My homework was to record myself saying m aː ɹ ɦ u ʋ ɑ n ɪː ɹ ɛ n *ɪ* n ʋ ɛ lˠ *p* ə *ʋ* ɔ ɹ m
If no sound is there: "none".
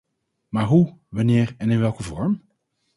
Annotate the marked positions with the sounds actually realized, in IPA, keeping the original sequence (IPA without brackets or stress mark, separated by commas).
ɪ, k, v